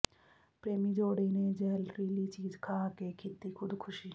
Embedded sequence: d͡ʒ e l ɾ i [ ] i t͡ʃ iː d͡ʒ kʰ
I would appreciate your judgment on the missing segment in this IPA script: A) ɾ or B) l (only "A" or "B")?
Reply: B